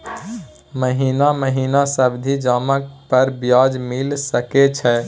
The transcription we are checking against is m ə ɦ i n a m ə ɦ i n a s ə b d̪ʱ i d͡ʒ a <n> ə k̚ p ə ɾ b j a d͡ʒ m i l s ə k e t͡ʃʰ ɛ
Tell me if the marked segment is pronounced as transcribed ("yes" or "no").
no